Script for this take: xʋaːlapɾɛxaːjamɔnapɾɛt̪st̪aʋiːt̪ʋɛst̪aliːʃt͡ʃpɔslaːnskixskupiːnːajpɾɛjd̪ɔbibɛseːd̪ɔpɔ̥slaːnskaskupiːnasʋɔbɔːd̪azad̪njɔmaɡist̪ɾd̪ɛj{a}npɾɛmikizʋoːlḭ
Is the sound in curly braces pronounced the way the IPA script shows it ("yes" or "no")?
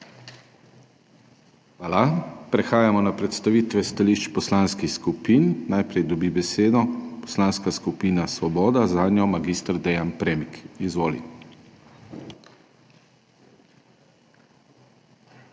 yes